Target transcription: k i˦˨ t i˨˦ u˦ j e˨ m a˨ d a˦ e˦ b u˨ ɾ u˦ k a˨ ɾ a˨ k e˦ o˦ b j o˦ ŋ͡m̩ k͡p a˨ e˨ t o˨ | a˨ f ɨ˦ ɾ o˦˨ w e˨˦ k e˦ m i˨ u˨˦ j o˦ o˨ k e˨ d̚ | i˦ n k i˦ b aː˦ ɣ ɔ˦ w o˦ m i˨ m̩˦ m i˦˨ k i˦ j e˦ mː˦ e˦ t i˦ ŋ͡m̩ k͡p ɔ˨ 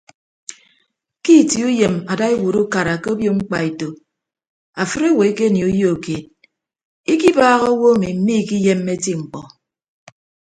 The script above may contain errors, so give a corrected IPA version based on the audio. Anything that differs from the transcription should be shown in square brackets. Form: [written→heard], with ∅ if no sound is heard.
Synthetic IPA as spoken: k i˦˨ t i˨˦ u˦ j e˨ m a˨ d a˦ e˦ [b→w] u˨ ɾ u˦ k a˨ ɾ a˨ k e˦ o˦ b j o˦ ŋ͡m̩ k͡p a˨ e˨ t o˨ | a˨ f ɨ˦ ɾ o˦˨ w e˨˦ k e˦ [m→n] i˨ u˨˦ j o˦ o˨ k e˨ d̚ | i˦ [n→∅] k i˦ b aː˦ ɣ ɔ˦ w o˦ m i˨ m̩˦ m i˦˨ k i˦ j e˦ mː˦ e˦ t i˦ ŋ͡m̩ k͡p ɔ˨